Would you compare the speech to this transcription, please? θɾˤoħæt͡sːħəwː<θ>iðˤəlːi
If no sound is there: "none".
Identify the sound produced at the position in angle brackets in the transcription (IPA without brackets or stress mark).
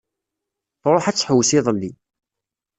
s